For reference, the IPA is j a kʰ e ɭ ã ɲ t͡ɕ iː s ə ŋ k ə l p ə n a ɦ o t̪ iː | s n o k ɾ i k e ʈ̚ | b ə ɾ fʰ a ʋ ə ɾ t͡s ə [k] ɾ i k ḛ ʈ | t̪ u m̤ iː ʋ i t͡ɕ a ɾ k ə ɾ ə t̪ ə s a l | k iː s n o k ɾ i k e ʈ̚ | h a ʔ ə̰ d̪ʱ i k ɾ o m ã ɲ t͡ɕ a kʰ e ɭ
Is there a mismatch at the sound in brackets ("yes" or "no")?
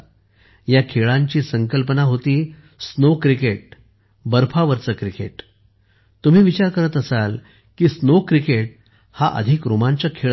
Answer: no